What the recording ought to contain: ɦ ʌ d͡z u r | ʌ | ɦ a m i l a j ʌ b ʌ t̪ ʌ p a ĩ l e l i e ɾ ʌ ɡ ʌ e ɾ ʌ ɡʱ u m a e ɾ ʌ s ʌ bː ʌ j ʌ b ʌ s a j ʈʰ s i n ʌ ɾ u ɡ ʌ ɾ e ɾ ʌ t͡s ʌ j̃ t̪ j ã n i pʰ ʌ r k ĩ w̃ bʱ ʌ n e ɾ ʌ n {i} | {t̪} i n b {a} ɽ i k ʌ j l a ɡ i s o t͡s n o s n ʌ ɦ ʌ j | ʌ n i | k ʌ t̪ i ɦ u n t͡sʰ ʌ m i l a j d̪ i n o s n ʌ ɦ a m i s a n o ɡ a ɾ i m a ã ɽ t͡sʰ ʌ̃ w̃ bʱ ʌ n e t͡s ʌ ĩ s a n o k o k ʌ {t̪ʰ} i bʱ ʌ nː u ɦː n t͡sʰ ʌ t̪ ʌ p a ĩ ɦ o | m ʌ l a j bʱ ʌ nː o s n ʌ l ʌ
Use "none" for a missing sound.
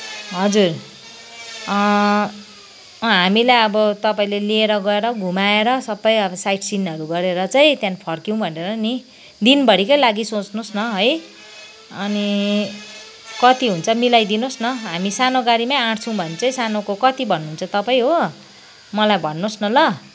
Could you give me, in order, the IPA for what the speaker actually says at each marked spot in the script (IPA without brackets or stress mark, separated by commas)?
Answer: i, d̪, ʌ, t̪